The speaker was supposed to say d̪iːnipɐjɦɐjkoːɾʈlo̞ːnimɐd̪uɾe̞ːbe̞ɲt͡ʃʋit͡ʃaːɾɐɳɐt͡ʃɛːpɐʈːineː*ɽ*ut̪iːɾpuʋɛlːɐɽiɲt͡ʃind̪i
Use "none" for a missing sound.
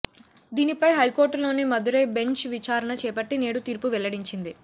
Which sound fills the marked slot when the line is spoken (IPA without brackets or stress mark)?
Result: ɽ